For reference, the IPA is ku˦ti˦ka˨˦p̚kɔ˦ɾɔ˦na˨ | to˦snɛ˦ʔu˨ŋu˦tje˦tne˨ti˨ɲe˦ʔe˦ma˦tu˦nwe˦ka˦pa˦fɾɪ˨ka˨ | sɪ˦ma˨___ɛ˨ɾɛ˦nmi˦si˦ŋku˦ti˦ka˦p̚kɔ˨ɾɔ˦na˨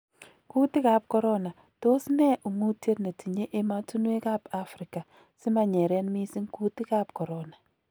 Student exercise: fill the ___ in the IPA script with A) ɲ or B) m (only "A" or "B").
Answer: A